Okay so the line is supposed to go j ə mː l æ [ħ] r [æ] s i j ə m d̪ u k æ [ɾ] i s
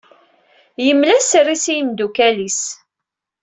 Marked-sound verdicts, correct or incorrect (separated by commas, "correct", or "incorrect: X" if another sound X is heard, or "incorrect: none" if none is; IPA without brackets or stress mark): incorrect: s, incorrect: i, incorrect: l